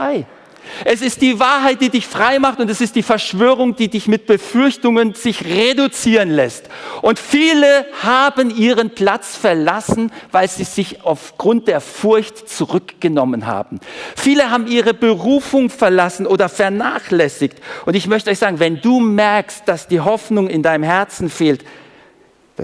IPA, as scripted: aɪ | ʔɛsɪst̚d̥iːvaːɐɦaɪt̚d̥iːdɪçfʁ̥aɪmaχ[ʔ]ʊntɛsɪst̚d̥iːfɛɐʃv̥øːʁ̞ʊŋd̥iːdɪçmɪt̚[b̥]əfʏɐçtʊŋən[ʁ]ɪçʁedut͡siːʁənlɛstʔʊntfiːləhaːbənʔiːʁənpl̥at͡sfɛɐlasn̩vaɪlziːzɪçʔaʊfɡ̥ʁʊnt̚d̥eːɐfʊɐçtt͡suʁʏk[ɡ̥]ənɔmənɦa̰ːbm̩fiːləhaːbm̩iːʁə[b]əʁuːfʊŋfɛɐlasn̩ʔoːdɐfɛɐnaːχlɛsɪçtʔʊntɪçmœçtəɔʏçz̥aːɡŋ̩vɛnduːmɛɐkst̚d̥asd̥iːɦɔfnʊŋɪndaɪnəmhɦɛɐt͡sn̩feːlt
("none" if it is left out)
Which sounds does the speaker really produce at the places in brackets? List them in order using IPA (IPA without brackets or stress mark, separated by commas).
t, b̥, z, ɡ̥, b